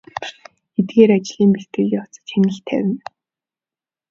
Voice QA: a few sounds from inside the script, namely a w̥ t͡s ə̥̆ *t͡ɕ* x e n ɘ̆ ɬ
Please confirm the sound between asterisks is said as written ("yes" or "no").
yes